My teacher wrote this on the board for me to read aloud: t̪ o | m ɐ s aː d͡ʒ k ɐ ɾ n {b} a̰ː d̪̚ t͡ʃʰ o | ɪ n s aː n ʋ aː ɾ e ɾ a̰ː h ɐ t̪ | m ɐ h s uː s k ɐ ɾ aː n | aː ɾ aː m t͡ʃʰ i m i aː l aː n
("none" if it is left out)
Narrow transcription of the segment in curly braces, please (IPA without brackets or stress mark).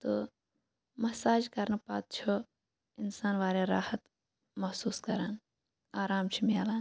p